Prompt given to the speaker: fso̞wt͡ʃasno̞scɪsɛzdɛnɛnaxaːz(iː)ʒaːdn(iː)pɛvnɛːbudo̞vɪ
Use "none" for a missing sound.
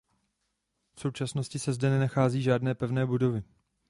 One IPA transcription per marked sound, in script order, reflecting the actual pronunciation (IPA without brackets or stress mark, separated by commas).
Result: iː, ɛː